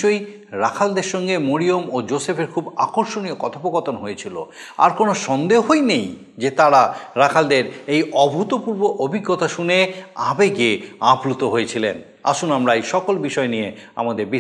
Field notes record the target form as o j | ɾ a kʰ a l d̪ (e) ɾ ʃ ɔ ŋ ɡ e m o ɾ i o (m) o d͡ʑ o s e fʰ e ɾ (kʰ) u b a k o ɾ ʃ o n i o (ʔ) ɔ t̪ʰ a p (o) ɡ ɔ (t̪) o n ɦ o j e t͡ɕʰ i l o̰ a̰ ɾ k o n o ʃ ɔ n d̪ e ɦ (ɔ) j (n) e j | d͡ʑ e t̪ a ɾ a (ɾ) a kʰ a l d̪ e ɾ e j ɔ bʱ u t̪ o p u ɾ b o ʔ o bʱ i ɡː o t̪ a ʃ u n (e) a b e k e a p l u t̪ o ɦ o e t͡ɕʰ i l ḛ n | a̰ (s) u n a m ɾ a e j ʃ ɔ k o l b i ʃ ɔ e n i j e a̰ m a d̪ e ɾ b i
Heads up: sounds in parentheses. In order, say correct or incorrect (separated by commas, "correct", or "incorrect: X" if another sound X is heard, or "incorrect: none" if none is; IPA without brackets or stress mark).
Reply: correct, correct, correct, incorrect: k, correct, correct, incorrect: o, correct, correct, correct, incorrect: ʃ